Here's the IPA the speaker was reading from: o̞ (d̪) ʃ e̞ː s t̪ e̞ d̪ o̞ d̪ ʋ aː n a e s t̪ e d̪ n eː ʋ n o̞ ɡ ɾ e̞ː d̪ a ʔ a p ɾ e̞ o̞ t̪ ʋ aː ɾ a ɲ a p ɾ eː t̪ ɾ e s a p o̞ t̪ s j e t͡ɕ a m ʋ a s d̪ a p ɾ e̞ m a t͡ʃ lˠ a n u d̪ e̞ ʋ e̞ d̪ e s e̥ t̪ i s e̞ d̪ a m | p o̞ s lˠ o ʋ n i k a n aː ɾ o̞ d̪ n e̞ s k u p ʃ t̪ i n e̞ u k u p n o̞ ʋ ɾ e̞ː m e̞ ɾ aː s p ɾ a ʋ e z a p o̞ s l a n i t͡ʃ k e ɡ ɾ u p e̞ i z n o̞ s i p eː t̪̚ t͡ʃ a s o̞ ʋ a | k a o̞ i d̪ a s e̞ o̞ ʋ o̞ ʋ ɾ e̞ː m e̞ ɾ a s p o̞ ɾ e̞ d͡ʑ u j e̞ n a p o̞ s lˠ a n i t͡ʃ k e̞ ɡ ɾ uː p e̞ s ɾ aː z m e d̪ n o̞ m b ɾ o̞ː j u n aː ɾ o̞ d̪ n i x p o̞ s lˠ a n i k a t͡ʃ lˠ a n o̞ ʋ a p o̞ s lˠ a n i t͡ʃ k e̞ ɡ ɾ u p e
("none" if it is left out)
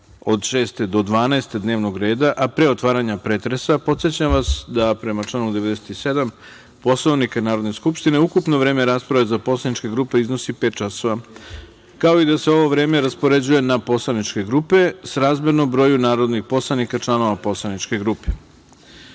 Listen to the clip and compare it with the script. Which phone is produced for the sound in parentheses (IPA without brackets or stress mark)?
d̪